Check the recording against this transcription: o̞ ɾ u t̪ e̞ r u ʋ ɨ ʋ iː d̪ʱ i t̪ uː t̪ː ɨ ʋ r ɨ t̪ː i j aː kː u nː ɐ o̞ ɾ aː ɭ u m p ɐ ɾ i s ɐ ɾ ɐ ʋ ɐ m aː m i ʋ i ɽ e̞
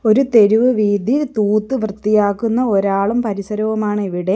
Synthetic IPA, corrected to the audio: o̞ ɾ u t̪ e̞ ɾ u ʋ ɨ ʋ iː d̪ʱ i t̪ uː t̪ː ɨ ʋ r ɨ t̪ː i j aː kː u nː ɐ o̞ ɾ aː ɭ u m p ɐ ɾ i s ɐ ɾ ɐ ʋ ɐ m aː ɳ i ʋ i ɽ e̞